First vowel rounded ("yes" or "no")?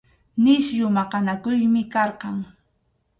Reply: no